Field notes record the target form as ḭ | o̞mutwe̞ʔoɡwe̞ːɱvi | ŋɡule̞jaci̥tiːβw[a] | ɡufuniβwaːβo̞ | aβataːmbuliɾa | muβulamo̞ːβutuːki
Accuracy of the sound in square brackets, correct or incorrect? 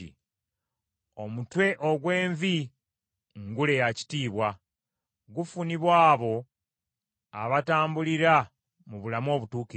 correct